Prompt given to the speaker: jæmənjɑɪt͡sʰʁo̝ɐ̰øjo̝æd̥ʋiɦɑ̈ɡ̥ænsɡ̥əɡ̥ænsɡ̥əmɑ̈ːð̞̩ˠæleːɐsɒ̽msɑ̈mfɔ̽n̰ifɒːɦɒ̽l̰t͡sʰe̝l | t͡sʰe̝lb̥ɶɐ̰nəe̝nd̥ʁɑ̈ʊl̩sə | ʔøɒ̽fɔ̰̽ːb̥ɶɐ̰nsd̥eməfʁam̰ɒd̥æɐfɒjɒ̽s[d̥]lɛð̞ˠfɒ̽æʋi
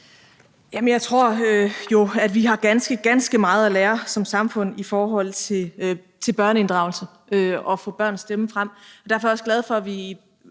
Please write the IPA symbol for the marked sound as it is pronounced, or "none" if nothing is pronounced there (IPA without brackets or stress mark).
ɡ̥